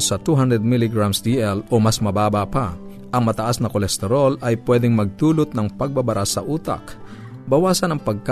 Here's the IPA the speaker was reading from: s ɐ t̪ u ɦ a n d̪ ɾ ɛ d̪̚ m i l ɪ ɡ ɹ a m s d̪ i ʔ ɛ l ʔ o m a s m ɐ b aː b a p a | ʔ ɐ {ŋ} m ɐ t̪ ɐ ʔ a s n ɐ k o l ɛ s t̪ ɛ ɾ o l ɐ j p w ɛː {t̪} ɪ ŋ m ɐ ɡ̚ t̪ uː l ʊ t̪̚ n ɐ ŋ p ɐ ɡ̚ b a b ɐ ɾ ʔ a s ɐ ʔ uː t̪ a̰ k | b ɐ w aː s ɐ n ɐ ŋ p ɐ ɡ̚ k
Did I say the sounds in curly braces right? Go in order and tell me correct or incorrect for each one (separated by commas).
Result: correct, incorrect